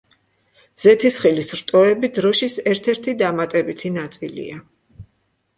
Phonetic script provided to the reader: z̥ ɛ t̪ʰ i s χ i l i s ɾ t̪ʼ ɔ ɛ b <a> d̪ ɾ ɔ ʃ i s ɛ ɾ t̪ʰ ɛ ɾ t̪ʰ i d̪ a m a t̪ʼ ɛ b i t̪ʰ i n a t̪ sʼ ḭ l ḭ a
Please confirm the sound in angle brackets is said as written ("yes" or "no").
no